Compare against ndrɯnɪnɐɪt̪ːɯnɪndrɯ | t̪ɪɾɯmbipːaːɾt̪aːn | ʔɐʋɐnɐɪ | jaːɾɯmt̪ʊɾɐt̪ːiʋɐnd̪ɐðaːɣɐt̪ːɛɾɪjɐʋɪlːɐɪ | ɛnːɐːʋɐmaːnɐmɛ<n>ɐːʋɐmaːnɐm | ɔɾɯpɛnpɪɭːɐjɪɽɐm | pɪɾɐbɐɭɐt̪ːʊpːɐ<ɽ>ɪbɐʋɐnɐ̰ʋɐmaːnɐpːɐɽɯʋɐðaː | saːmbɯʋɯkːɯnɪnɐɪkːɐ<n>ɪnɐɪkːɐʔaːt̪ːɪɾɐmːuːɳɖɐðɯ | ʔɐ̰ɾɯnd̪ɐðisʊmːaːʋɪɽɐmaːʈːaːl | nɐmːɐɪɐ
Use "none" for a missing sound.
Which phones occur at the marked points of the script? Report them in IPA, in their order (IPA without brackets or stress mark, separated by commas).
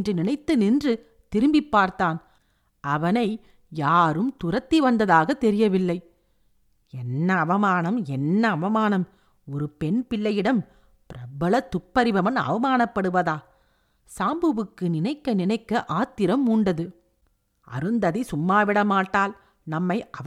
nː, ɾ, n